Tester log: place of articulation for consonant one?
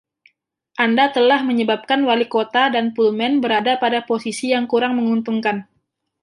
glottal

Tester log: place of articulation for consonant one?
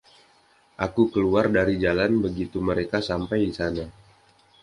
glottal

